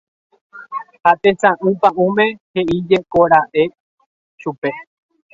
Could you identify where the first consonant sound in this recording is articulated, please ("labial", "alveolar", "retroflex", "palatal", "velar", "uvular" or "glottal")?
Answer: glottal